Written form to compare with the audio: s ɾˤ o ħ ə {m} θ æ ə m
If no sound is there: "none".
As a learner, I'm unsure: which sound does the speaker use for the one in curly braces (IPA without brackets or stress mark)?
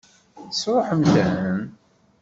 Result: m